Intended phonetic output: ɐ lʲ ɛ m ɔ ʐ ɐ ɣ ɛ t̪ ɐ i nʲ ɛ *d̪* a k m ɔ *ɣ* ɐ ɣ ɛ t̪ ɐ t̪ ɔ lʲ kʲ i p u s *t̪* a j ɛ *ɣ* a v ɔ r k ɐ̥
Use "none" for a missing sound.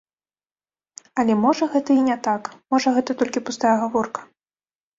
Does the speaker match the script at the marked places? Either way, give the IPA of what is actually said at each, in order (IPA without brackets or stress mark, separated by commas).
t̪, ʐ, t̪, ɣ